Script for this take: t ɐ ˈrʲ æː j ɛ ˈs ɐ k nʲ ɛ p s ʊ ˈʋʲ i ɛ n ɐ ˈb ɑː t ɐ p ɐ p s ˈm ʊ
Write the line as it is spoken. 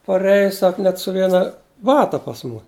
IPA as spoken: p ɐ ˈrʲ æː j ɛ ˈs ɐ k nʲ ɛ t s ʊ ˈʋʲ i ɛ n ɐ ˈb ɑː t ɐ p ɐ s ˈm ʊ